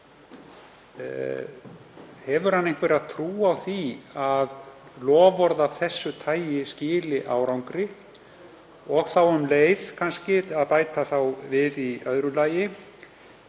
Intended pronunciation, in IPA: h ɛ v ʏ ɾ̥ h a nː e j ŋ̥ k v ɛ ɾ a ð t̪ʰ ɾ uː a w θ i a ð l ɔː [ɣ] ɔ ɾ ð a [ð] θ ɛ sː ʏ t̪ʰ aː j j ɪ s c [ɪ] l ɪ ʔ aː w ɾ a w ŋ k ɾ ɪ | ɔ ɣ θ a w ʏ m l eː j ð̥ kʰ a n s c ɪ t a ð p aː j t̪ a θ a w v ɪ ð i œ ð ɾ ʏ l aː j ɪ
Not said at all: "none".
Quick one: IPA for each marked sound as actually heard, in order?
v, v, ɪː

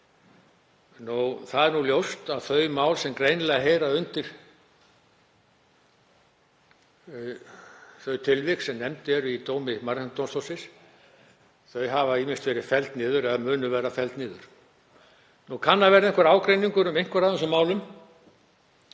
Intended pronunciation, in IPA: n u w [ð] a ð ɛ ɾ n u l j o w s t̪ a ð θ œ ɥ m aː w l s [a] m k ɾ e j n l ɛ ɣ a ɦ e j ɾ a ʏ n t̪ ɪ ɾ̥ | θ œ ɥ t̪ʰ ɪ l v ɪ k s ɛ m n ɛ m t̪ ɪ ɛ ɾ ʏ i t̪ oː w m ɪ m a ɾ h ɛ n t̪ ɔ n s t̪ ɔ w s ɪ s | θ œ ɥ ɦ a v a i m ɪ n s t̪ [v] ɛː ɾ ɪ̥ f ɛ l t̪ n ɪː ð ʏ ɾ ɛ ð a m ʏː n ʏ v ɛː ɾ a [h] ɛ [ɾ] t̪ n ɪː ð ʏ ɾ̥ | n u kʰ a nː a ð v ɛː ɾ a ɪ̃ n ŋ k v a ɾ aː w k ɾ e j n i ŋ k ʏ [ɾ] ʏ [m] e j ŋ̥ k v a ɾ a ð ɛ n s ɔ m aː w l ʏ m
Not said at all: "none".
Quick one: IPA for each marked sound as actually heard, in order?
θ, ɛ, v, f, l, ɾ, m

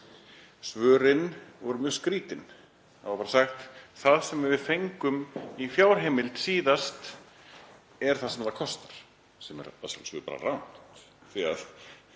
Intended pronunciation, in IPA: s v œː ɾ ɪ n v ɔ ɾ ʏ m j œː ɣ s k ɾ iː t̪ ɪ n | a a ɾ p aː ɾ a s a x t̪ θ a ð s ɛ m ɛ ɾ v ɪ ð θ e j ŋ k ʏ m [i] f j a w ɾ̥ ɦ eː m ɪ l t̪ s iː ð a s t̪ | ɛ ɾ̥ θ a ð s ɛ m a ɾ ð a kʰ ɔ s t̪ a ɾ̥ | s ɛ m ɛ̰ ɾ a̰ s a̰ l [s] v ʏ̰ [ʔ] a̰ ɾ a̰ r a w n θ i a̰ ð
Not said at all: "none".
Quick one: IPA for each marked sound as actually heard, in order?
i, s, p

